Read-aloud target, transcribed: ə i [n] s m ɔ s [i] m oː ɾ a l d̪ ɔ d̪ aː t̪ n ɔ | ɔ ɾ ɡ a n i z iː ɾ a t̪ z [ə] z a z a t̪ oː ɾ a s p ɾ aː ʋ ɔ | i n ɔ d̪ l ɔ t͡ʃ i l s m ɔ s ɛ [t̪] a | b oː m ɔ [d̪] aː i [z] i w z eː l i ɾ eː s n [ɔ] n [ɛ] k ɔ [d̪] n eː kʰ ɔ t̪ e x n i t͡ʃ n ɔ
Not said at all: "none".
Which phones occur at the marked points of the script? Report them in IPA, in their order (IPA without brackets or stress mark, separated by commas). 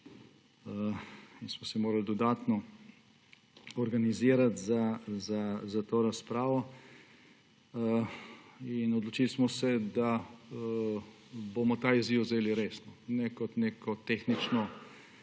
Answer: n, ɛ, a, d̪, t̪, z, ɔ, ɛ, t̪